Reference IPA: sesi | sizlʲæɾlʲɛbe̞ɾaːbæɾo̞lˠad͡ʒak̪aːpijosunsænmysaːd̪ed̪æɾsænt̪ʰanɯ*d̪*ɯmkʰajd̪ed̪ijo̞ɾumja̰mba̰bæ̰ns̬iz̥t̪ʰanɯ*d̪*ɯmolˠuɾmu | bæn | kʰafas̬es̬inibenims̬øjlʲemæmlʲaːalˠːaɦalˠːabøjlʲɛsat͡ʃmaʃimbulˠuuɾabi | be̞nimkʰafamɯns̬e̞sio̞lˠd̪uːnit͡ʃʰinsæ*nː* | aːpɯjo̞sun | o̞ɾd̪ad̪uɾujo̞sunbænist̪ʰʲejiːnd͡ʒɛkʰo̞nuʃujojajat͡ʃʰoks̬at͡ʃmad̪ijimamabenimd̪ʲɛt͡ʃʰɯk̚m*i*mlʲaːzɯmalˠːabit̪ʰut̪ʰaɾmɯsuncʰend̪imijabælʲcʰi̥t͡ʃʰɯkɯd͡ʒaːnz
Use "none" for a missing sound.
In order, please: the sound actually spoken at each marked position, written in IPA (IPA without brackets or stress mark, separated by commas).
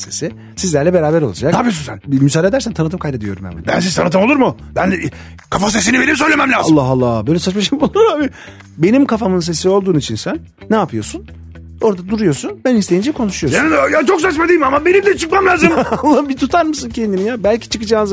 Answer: t̪, t̪, nː, a